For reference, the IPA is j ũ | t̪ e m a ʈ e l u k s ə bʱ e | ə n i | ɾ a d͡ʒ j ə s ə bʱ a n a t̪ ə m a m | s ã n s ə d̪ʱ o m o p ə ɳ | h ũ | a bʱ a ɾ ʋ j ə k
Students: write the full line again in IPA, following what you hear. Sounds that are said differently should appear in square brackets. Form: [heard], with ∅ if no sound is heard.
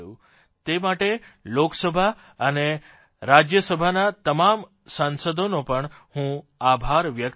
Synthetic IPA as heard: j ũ | t̪ e m a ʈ e l [o] k s ə bʱ [a] | ə n [e] | ɾ a d͡ʒ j ə s ə bʱ a n a t̪ ə m a m | s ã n s ə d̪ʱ o [n] o p ə ɳ | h ũ | a bʱ a ɾ ʋ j ə k